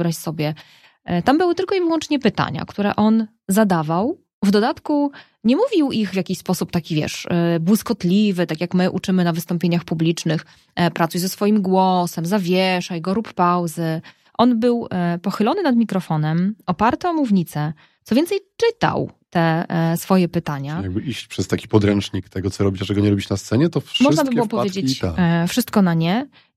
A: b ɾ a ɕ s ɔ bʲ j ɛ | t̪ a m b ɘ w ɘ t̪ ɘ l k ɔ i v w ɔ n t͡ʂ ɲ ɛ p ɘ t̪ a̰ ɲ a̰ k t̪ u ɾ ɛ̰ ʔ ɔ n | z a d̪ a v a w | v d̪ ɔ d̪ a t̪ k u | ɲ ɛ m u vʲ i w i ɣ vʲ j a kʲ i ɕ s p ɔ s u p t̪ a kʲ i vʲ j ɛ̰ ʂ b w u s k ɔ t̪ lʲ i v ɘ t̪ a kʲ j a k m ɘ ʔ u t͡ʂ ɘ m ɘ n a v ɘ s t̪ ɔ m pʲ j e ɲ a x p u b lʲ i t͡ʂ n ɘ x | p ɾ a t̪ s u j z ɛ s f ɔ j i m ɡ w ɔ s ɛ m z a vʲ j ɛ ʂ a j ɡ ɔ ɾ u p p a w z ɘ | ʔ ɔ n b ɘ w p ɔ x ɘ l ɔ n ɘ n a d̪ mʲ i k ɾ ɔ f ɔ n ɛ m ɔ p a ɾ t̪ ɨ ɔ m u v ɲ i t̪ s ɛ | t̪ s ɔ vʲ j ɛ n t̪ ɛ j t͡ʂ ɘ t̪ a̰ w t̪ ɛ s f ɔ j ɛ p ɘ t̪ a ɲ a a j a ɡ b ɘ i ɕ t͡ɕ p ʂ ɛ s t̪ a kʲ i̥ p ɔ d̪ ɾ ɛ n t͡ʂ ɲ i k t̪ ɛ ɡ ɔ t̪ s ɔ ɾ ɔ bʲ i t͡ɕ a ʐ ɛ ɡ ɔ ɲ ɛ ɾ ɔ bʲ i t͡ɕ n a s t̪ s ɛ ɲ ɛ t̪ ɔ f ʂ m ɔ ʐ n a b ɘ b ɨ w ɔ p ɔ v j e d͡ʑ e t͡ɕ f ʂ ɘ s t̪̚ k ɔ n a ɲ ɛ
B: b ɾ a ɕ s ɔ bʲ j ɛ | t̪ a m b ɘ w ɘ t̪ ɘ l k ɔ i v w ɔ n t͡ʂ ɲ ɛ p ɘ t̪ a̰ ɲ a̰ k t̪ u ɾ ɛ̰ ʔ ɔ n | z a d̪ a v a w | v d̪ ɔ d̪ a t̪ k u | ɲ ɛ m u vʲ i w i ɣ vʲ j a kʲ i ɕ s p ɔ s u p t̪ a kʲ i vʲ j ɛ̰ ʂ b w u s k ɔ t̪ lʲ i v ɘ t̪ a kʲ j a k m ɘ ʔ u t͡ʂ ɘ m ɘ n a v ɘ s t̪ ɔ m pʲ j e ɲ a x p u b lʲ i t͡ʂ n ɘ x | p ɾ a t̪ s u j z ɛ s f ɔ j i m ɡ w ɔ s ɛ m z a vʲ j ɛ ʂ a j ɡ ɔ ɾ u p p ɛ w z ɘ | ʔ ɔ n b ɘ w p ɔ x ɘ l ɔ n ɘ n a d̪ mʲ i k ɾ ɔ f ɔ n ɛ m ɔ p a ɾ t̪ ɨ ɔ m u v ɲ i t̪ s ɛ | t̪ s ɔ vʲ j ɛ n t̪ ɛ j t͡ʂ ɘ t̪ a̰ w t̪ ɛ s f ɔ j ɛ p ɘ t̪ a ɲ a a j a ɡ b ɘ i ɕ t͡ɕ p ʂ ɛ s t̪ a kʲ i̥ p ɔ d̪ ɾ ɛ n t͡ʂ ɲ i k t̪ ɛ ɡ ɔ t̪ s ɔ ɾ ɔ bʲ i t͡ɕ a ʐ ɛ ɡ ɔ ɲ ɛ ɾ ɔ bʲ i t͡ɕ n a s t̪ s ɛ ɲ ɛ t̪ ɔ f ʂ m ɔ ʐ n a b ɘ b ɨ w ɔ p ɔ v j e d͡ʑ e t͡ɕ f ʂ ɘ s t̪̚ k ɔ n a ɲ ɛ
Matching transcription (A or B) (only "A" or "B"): A